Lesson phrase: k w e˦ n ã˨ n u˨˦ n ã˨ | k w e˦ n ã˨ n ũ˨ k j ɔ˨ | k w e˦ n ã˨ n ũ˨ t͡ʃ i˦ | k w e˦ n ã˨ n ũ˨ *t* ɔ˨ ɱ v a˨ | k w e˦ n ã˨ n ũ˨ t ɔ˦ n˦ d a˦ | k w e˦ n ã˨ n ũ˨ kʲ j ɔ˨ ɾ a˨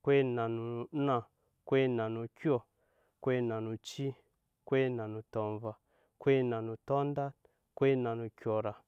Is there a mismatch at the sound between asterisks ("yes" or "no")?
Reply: no